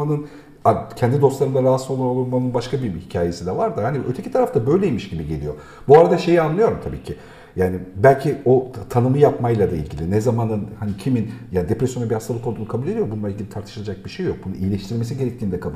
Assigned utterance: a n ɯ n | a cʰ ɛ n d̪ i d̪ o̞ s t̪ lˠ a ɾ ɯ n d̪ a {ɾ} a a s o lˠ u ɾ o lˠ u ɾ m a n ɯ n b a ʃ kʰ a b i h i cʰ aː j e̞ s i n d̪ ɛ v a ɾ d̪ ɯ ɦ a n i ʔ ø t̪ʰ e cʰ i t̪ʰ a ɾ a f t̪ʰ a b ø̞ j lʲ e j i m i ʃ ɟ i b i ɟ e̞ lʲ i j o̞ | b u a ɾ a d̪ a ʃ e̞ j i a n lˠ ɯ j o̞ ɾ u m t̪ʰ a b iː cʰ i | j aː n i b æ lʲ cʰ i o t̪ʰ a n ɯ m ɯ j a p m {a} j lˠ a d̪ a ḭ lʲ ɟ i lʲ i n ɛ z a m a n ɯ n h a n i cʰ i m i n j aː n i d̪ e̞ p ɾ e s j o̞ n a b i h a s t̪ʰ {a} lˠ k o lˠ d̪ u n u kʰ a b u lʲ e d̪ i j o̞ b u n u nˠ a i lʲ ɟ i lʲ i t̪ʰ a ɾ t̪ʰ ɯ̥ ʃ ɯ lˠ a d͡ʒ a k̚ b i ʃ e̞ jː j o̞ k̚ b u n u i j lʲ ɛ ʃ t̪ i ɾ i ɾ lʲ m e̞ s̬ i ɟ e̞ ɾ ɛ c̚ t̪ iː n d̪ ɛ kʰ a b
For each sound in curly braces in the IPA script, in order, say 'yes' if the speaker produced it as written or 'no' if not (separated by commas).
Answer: yes, yes, yes